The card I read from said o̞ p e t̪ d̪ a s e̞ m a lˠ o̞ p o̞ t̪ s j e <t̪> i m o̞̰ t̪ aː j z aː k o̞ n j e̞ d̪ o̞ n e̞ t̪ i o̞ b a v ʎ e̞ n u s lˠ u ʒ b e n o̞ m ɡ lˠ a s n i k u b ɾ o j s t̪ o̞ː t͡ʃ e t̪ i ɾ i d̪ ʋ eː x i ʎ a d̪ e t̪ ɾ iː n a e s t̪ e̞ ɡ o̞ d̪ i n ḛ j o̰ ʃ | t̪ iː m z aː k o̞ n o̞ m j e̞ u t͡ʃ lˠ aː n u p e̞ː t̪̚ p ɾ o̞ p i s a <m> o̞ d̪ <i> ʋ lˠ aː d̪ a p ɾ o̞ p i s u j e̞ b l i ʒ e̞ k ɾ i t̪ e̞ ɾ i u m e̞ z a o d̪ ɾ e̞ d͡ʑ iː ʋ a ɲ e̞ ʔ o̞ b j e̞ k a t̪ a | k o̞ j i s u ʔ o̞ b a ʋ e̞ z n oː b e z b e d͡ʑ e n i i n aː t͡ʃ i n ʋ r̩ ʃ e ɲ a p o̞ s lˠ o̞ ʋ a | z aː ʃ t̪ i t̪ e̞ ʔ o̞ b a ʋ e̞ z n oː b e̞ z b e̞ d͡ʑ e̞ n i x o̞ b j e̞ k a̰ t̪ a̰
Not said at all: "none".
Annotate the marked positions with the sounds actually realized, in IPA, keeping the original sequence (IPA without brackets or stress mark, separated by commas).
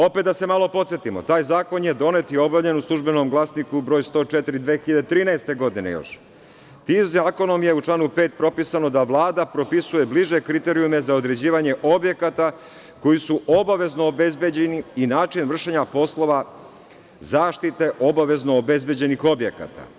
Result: t̪, n, a